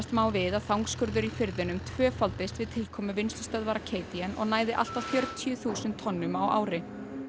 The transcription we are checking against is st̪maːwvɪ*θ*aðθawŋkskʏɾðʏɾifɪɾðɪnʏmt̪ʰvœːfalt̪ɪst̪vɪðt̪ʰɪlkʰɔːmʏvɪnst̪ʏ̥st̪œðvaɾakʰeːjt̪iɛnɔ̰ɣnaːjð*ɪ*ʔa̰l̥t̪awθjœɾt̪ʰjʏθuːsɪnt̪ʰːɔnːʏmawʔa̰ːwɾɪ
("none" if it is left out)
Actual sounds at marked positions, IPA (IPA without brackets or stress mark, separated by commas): ð, ɪ